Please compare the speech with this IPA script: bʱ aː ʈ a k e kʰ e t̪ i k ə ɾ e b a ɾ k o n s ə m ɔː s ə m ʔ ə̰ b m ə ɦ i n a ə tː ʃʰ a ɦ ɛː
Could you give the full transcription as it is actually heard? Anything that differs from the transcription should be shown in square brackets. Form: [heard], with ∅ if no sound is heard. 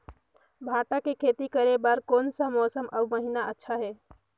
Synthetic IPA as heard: bʱ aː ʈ a k e kʰ e t̪ i k ə ɾ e b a ɾ k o n s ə m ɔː s ə m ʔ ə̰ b m ə ɦ i n a ə tː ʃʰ a ɦ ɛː